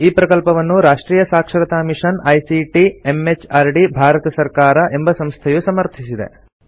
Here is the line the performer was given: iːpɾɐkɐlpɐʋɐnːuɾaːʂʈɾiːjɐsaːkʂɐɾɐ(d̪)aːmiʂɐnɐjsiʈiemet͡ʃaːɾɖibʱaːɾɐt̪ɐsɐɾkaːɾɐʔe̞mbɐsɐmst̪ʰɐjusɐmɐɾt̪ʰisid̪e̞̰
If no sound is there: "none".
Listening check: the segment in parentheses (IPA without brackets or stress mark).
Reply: t̪